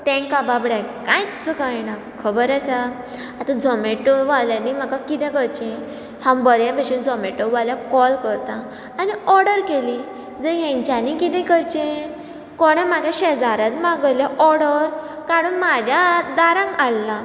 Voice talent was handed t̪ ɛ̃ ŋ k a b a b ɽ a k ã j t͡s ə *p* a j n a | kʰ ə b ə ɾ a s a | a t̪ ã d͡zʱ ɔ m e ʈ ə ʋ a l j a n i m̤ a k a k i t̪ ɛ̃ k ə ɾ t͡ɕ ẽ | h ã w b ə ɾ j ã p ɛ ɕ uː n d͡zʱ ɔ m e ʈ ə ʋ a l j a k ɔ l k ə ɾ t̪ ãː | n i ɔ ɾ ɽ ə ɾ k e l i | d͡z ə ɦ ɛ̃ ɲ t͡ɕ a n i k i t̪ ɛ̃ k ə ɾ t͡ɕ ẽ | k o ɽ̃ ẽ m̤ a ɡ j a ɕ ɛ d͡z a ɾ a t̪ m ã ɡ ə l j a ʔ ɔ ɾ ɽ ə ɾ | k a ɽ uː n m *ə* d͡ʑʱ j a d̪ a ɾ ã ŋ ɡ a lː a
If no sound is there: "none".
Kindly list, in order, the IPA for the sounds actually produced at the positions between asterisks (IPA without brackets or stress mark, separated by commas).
k, a